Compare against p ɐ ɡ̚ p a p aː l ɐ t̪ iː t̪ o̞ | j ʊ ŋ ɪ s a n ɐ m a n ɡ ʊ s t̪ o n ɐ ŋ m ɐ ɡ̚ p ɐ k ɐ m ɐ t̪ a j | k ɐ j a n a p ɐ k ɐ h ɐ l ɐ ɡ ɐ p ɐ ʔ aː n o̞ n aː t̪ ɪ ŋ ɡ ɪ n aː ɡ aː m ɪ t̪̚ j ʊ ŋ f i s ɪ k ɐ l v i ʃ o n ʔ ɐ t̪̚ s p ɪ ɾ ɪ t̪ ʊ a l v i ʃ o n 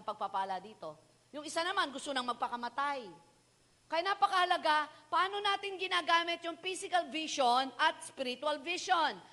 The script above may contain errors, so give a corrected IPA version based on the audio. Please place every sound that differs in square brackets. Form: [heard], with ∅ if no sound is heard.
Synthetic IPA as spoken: p ɐ ɡ̚ p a p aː l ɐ [d̪] iː t̪ o̞ | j ʊ ŋ ɪ s a n ɐ m a n ɡ ʊ s t̪ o n ɐ ŋ m ɐ ɡ̚ p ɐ k ɐ m ɐ t̪ a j | k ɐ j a n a p ɐ k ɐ h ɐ l ɐ ɡ [a] p ɐ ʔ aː n o̞ n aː t̪ ɪ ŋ ɡ ɪ n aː ɡ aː m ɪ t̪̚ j ʊ ŋ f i s ɪ k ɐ l v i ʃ o n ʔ ɐ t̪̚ s p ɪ ɾ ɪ t̪ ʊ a l v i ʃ o n